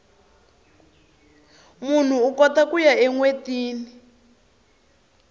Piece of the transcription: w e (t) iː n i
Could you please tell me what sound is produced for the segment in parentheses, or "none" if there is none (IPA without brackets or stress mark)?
t